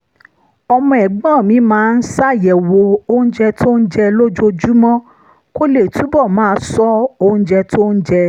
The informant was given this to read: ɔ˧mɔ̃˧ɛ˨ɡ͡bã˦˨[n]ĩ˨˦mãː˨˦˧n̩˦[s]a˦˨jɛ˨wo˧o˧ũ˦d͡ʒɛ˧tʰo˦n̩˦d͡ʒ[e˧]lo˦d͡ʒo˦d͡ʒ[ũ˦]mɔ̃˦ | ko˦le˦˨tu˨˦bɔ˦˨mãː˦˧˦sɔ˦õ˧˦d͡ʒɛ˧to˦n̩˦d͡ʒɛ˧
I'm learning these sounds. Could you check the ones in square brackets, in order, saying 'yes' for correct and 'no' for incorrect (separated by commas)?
no, yes, no, no